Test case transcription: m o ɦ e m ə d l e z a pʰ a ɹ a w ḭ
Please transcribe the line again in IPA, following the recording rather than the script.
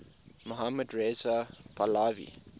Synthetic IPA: m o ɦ a m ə d ɹ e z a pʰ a l a v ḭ